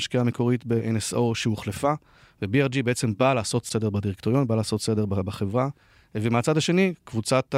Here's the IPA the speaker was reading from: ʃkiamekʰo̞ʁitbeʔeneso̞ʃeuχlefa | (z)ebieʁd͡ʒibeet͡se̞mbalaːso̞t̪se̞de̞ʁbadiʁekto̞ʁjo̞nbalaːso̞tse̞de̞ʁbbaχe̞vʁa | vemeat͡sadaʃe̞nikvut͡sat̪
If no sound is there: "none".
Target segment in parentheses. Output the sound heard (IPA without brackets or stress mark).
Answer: v